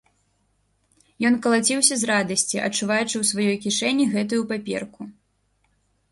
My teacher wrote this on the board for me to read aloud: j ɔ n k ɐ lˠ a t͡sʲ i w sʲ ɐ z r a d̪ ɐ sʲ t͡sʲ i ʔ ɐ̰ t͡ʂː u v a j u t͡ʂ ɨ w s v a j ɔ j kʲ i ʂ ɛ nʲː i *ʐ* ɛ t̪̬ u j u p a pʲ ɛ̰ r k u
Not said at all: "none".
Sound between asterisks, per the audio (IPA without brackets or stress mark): ɣ